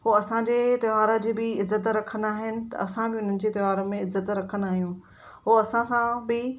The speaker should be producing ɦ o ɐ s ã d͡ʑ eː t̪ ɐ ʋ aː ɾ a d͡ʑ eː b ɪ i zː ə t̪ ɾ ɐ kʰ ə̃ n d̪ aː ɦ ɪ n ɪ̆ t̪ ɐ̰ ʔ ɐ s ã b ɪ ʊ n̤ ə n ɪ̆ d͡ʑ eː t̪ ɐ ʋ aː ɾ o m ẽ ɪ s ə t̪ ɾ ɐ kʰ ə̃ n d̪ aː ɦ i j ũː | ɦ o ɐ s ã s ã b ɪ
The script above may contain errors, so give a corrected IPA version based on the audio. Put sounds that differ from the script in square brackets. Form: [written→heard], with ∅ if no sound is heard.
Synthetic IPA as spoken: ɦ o ɐ s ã d͡ʑ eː t̪ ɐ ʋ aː ɾ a d͡ʑ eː b ɪ [i→ɪ] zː ə t̪ ɾ ɐ kʰ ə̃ n d̪ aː ɦ ɪ n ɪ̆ t̪ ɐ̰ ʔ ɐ s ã b ɪ ʊ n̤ ə n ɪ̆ d͡ʑ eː t̪ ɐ ʋ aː ɾ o m ẽ ɪ [s→z] ə t̪ ɾ ɐ kʰ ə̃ n d̪ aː ɦ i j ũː | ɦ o ɐ s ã s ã b ɪ